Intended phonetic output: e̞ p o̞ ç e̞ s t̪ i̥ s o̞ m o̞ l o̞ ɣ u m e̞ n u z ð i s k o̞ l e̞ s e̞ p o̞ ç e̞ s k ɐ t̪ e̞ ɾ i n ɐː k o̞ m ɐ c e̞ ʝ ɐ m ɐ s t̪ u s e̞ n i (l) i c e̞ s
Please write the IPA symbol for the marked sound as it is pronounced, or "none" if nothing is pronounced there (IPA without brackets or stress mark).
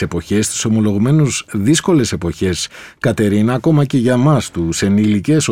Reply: l